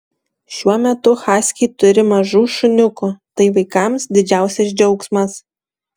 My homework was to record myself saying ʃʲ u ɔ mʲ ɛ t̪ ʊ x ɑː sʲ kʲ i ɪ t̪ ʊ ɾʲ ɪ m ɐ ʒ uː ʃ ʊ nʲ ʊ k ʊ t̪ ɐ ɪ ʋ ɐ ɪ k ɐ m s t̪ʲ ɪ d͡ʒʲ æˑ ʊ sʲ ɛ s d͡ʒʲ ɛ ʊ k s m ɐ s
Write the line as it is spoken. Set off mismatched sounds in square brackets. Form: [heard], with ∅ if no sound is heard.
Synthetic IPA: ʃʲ u ɔ mʲ ɛ t̪ ʊ x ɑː sʲ kʲ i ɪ t̪ ʊ ɾʲ ɪ m ɐ ʒ uː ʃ ʊ nʲ ʊ k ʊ t̪ ɐ ɪ ʋ ɐ ɪ k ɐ m s [d̪ʲ] ɪ d͡ʒʲ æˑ ʊ sʲ ɛ s d͡ʒʲ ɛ ʊ k s m ɐ s